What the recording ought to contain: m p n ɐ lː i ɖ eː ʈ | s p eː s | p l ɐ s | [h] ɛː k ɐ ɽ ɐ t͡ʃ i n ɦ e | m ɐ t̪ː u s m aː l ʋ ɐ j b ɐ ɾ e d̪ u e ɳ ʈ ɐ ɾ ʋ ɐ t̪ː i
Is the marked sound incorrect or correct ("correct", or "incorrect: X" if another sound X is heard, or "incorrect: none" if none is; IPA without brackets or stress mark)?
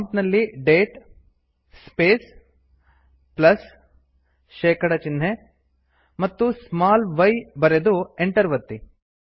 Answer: incorrect: ʃ